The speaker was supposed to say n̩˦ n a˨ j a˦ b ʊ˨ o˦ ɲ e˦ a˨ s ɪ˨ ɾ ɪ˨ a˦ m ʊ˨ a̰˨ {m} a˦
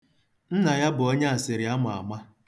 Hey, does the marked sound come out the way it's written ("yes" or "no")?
yes